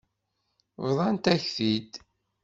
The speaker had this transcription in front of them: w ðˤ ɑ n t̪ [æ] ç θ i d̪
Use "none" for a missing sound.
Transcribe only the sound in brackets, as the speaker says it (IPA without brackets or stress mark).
æ